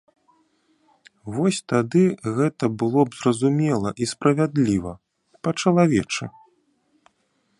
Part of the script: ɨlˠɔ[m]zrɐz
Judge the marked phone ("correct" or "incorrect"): incorrect